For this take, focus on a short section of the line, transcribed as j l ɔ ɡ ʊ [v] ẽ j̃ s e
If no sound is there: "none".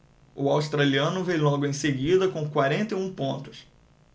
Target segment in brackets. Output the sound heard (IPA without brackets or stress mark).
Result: none